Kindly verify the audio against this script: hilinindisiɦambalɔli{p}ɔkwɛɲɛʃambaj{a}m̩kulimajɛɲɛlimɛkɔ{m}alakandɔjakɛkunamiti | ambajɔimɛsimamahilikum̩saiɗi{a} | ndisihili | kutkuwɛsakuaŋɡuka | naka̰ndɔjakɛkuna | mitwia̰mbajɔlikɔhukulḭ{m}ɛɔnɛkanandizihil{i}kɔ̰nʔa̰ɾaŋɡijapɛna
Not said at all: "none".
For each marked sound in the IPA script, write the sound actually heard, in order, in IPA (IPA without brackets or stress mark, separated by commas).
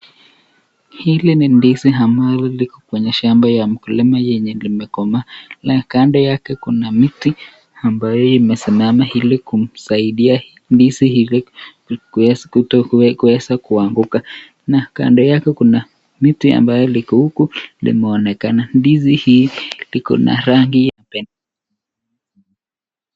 k, a, m, a, m, i